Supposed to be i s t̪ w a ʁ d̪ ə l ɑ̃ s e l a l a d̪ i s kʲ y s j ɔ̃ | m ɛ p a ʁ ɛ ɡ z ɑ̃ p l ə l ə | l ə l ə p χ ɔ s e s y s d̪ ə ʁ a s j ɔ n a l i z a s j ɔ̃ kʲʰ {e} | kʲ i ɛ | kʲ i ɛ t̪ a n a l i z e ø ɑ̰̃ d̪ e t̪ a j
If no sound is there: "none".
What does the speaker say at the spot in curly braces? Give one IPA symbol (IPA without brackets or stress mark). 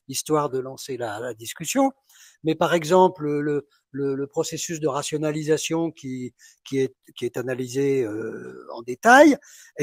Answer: i